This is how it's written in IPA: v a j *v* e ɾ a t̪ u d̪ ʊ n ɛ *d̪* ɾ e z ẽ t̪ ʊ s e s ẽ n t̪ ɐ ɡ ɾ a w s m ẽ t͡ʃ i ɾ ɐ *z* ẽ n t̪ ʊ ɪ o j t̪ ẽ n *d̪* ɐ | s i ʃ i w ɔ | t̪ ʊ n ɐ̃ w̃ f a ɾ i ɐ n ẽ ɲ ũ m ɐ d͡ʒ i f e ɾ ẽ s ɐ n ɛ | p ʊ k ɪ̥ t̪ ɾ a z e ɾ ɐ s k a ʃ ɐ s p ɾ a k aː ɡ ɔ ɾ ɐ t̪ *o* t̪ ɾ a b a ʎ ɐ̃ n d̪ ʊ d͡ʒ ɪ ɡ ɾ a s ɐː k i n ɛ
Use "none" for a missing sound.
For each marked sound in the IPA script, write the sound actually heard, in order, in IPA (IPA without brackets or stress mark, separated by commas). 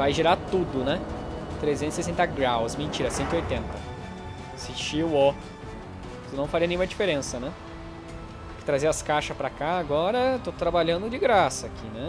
ʒ, t̪, s, t̪, o